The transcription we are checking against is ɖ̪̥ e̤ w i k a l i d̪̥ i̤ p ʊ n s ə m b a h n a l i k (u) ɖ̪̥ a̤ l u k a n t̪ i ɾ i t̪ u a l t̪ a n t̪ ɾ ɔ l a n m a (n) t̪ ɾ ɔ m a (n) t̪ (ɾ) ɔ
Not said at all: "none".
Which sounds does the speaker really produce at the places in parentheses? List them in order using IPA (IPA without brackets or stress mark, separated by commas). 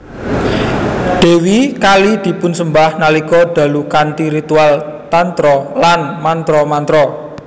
ɔ, n, n, ɾ